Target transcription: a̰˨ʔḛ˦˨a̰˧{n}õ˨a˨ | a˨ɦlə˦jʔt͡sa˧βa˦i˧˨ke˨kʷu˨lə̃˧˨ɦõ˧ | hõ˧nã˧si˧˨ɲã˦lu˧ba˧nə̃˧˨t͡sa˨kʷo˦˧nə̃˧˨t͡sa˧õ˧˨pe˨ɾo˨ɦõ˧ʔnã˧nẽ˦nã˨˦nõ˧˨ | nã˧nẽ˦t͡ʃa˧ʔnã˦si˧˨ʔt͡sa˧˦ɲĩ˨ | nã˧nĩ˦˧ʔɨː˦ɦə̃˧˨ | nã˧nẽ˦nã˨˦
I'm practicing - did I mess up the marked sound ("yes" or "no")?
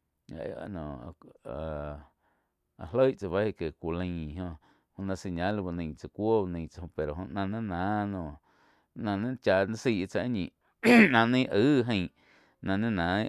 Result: no